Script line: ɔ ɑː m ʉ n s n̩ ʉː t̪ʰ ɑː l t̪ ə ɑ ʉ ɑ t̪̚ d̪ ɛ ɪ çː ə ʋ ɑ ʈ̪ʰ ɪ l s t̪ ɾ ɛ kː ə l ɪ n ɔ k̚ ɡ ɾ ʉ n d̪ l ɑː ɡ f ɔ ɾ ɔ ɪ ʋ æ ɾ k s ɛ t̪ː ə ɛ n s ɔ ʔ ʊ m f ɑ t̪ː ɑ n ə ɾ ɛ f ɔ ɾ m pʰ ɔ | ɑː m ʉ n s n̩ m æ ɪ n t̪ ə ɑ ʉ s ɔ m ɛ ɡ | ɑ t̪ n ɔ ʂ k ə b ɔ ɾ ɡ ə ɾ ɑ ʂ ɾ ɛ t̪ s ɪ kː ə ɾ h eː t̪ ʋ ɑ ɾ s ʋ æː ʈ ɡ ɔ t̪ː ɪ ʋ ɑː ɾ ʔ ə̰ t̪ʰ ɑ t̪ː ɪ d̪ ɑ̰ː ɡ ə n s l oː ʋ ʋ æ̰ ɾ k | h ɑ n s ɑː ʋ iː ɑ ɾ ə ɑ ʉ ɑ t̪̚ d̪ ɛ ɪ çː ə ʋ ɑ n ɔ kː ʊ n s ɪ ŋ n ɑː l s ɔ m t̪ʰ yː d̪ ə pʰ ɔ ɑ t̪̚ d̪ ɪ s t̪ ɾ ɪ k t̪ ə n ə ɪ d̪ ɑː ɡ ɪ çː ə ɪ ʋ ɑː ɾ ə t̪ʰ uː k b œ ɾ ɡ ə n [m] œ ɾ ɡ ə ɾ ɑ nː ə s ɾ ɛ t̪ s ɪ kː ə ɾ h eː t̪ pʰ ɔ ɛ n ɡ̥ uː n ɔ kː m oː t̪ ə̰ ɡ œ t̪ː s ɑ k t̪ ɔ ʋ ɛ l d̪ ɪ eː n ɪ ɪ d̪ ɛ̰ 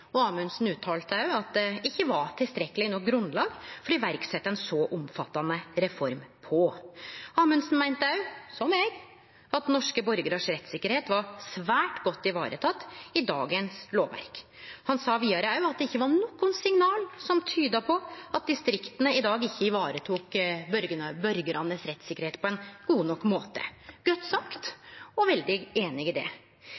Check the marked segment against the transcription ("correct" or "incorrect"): incorrect